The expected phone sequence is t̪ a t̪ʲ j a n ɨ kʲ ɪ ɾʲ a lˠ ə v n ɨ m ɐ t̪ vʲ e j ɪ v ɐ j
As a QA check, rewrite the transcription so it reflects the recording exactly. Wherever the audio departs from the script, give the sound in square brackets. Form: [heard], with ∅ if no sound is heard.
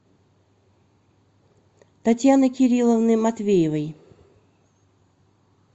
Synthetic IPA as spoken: t̪ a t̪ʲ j a n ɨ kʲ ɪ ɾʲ [i] lˠ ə v n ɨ m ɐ t̪ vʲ e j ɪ v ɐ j